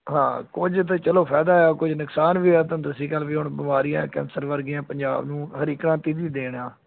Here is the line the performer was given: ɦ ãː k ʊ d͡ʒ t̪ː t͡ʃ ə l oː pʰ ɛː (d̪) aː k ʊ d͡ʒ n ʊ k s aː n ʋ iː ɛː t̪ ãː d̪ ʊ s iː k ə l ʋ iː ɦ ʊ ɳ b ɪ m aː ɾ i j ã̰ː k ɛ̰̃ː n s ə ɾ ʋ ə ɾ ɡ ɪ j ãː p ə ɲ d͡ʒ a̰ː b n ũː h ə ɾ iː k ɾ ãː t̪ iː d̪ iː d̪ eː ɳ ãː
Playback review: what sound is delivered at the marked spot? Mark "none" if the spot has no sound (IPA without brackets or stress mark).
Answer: d̪